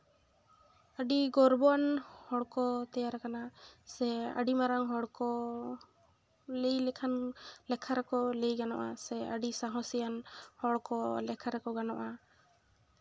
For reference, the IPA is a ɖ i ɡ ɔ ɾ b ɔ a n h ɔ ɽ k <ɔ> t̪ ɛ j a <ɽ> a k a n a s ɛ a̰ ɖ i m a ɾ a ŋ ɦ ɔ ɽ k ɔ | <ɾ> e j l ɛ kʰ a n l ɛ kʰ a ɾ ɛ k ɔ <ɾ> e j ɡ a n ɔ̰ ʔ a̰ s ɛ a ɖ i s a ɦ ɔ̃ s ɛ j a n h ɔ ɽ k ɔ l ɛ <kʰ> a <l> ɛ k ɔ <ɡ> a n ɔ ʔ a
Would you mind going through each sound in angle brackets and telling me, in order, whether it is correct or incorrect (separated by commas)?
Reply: correct, incorrect, incorrect, incorrect, correct, incorrect, correct